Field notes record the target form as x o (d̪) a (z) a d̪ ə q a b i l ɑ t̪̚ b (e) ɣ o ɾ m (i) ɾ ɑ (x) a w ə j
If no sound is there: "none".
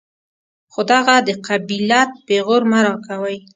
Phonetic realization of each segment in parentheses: d̪, ɣ, e, a, k

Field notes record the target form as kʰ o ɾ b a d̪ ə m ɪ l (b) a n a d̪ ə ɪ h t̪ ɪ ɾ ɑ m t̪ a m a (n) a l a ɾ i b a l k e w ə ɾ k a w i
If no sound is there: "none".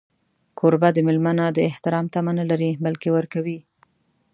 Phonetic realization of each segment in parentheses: m, n

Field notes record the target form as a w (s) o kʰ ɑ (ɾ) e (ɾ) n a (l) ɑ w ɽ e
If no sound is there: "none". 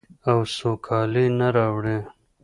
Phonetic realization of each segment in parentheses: s, l, none, ɾ

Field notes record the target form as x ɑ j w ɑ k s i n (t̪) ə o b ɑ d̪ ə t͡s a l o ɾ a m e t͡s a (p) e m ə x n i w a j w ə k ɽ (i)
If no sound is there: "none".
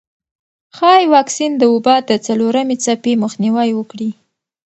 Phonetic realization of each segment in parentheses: d̪, p, i

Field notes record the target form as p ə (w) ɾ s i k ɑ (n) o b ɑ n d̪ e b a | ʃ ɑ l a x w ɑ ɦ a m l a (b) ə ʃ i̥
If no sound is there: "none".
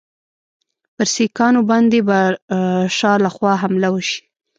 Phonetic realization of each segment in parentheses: none, n, w

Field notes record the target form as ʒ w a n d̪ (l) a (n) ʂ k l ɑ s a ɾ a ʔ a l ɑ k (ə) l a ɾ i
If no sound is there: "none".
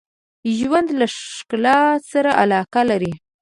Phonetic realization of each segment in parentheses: l, none, a

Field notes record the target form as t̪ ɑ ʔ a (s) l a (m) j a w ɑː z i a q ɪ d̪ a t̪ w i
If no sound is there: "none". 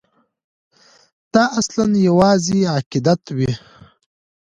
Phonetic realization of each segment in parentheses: s, n

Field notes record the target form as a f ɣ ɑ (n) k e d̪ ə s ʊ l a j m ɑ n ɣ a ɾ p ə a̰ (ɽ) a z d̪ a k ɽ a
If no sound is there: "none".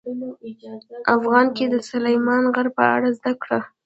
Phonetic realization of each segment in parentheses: n, ɽ

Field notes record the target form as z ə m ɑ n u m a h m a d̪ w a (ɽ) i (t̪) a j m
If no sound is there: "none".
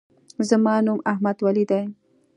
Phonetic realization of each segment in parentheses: l, d̪

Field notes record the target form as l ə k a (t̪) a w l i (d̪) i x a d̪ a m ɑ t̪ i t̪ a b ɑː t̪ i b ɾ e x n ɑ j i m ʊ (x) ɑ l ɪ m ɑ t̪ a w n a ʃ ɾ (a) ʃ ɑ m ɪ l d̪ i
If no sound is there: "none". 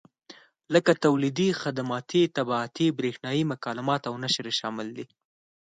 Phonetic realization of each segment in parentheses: t̪, d̪, k, e

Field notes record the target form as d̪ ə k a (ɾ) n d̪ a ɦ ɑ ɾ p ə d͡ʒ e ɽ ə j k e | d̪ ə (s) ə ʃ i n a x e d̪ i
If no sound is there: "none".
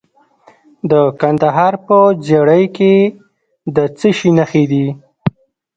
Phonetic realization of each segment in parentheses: none, t͡s

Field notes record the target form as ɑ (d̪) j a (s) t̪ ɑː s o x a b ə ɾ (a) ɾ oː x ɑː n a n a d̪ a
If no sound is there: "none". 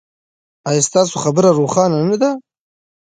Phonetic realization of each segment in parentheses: none, s, a

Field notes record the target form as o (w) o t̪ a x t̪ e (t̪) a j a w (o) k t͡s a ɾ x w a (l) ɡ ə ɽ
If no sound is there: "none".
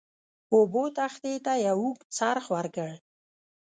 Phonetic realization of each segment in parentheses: b, t̪, u, ɾ

